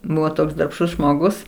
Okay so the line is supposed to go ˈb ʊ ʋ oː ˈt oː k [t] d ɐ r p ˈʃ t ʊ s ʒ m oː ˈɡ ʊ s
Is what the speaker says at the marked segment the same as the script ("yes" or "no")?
no